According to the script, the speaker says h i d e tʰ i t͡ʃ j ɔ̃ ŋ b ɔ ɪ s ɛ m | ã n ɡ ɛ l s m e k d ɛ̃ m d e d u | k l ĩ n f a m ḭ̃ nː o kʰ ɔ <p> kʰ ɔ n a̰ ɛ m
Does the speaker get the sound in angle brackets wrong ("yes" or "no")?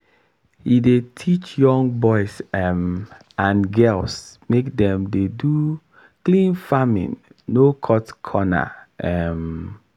yes